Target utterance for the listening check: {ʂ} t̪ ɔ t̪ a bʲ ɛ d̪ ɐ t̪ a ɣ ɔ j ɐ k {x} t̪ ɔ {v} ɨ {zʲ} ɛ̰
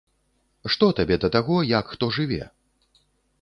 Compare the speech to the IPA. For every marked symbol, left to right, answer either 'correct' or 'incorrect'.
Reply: correct, correct, incorrect: ʐ, incorrect: vʲ

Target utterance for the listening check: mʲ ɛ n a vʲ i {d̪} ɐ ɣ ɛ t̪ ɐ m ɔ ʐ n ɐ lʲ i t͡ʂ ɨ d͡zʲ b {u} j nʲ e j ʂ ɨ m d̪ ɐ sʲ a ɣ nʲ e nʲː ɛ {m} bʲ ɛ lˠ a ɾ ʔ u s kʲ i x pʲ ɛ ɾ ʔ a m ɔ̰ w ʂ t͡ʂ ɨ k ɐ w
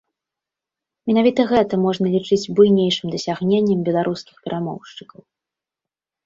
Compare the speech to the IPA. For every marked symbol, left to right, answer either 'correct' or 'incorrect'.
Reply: incorrect: t̪, correct, correct

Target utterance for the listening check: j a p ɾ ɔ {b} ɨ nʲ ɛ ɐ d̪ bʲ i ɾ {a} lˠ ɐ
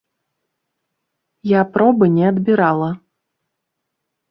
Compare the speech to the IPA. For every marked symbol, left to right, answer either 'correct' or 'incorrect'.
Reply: correct, correct

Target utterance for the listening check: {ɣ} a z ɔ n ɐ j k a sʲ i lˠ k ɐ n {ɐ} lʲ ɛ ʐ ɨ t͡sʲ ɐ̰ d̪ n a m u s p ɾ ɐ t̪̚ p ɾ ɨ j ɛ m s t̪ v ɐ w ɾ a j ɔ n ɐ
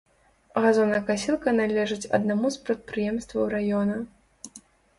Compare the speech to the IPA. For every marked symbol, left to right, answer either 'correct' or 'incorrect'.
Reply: correct, incorrect: a

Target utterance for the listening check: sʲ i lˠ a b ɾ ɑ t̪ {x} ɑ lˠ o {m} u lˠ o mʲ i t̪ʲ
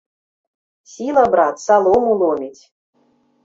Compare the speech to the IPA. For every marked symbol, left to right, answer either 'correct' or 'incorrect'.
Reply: incorrect: s, correct

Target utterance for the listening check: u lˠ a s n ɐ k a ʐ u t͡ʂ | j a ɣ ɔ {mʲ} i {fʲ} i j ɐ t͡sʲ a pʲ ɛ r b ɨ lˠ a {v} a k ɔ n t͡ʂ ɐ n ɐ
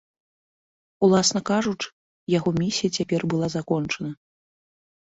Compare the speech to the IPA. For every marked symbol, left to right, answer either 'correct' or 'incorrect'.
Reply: correct, incorrect: sʲ, incorrect: z

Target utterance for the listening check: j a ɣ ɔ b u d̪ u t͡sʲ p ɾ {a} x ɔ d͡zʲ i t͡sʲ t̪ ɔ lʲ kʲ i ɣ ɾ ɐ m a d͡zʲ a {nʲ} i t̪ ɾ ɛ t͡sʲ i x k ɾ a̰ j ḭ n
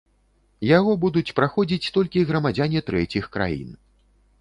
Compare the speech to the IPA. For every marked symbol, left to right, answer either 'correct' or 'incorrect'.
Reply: correct, correct

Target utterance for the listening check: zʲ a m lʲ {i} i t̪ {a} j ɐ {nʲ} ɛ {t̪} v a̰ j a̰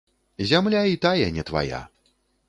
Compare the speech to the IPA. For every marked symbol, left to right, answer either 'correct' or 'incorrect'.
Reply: incorrect: a, correct, correct, correct

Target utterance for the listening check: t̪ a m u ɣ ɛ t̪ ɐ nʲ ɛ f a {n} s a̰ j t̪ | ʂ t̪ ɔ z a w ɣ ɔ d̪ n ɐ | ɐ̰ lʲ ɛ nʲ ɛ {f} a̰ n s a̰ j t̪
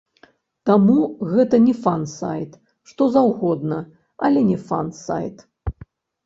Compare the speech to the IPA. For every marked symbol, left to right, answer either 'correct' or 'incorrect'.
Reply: correct, correct

